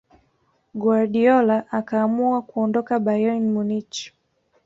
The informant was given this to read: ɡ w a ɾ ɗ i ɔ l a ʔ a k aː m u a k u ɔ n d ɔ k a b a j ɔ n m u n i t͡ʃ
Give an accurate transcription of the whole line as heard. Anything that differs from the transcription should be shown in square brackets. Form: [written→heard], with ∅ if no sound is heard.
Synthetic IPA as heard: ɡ w a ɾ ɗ i ɔ l a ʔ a k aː m u a k u ɔ n d ɔ k a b a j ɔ n m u n i t͡ʃ